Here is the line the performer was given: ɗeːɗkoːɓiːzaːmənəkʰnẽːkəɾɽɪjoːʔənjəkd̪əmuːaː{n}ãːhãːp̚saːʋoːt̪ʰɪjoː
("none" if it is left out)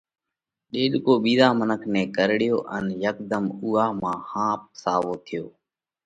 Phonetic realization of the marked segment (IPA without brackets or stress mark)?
m